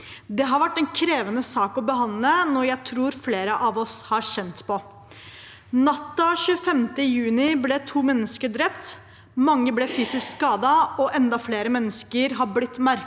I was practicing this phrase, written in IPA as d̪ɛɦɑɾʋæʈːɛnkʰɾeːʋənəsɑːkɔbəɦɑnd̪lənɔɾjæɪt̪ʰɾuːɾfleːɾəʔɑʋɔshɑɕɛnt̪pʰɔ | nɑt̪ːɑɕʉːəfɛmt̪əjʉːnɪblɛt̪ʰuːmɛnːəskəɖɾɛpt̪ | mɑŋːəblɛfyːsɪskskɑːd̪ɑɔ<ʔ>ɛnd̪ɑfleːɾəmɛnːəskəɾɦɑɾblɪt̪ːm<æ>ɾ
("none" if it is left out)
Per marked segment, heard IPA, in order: ʔ, æ

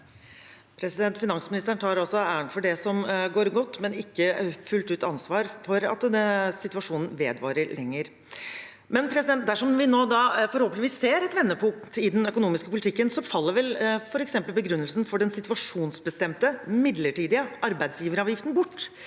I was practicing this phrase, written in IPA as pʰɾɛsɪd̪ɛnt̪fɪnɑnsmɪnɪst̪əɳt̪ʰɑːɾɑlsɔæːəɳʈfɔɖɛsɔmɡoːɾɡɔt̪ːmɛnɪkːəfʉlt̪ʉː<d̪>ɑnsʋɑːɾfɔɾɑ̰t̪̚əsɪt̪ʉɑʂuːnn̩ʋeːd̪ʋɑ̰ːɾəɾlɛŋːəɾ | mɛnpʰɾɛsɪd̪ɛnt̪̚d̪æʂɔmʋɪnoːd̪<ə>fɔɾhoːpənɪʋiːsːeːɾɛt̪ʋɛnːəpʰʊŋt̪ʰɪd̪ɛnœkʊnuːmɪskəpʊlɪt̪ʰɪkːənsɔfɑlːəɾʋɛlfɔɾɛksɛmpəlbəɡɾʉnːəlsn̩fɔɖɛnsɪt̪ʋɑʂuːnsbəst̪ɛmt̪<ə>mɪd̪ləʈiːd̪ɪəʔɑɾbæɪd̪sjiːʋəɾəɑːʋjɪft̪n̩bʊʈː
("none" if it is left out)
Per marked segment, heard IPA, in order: t̪, ɑ, ə

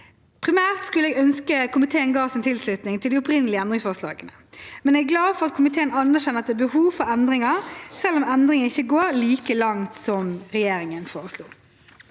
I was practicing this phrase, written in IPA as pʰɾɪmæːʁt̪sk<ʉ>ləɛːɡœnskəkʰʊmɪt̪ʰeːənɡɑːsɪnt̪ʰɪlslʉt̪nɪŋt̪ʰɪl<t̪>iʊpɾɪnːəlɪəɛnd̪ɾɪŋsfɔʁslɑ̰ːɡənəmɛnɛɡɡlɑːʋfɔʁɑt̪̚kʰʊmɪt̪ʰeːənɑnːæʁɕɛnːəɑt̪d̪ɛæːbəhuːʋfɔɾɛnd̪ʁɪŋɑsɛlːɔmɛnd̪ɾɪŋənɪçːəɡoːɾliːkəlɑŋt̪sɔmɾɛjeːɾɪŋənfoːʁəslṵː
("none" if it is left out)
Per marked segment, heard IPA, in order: ʉ, d̪

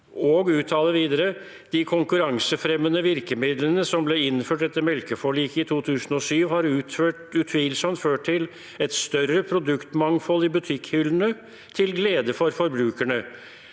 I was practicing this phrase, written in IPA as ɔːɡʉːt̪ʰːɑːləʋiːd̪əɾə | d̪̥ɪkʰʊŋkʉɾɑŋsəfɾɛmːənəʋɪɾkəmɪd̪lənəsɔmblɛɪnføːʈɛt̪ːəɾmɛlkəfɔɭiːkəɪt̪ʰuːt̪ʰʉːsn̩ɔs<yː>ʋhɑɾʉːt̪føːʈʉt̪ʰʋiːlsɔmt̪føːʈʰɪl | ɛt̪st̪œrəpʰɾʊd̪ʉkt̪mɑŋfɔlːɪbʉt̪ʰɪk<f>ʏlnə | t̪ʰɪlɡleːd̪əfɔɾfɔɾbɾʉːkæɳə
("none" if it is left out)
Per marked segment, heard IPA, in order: yː, h

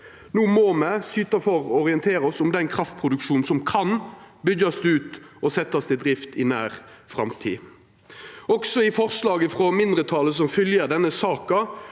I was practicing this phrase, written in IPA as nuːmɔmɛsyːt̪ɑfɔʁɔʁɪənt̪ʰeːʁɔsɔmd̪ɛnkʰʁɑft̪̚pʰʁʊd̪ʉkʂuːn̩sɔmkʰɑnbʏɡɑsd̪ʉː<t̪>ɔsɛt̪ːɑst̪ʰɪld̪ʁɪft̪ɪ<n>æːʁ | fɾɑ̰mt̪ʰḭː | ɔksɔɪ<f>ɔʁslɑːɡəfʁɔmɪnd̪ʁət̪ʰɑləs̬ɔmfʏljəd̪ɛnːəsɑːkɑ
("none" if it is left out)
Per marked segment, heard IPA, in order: t̪, n, f

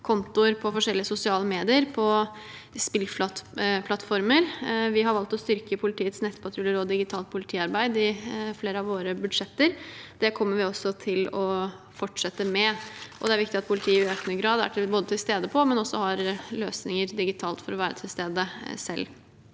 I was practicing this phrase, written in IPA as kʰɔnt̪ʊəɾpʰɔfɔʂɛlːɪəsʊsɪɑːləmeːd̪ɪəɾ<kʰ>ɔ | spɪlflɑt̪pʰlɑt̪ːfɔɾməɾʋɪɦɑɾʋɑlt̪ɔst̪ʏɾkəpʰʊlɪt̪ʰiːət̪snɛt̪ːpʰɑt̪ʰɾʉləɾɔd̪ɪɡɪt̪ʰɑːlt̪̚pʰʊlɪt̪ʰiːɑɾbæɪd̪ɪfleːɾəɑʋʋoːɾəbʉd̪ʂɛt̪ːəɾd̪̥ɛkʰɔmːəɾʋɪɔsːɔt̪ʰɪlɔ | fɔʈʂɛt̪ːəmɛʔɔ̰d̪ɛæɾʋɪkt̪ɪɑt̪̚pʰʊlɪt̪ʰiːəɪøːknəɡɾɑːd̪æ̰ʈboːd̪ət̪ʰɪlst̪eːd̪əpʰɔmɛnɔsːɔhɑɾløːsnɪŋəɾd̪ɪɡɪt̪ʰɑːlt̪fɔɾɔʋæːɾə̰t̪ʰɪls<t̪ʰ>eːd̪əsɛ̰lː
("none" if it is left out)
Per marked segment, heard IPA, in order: pʰ, t̪

